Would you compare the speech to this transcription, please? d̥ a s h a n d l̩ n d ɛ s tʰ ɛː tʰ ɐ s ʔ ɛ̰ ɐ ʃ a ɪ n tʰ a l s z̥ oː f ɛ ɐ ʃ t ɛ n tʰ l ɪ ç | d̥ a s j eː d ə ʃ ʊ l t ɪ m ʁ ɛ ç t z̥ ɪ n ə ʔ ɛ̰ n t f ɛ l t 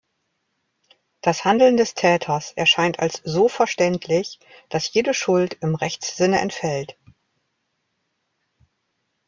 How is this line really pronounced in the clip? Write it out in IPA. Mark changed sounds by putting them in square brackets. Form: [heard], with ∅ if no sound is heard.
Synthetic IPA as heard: d̥ a s h a n d l̩ n d ɛ s tʰ ɛː tʰ ɐ s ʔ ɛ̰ ɐ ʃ a ɪ n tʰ a l s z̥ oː f ɛ ɐ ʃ t ɛ n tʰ l ɪ ç | d̥ a s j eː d ə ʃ ʊ l t ɪ m ʁ ɛ ç [t͡s] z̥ ɪ n ə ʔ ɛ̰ n t f ɛ l t